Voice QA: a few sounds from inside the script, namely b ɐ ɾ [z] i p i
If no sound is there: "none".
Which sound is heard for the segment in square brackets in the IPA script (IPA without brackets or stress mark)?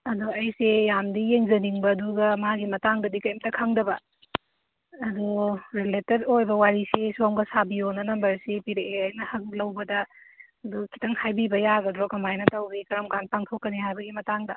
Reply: s